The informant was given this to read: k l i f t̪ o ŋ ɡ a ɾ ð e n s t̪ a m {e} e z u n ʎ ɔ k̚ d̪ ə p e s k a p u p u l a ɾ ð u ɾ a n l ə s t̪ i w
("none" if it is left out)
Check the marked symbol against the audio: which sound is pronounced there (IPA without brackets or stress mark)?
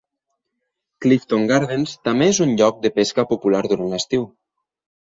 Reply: e